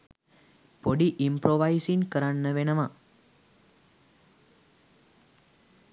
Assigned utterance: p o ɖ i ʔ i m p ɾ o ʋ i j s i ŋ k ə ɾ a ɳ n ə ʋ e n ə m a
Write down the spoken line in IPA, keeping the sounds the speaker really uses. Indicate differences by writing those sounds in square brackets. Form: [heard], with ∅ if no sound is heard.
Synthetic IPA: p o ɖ i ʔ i m p ɾ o ʋ [a] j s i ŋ k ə ɾ a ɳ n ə ʋ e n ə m a